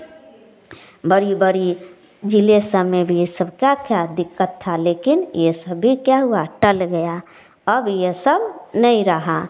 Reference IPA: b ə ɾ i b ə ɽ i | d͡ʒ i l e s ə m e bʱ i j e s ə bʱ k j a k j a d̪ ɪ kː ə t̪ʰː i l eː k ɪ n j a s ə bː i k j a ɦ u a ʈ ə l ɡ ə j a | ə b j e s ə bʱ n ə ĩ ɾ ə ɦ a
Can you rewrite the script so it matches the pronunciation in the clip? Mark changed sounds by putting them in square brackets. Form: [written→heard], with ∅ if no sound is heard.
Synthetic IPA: b ə ɾ i b ə [ɽ→ɾ] i | d͡ʒ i l e s ə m e bʱ i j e s ə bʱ k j a k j a d̪ ɪ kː ə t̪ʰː [i→a] l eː k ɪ n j [a→e] s ə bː i k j a ɦ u a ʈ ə l ɡ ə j a | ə b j e s ə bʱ n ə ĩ ɾ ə ɦ a